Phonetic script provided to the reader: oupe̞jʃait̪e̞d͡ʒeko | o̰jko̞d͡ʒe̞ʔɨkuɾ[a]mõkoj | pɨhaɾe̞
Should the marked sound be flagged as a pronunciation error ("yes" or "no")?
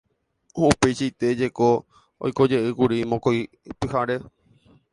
yes